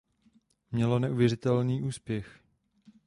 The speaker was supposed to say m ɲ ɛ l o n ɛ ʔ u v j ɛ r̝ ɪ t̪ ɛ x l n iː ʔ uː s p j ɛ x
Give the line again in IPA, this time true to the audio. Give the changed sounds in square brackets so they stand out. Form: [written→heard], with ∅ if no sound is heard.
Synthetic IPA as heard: m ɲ ɛ l o n ɛ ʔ u v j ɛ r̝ ɪ t̪ ɛ [x→∅] l n iː ʔ uː s p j ɛ x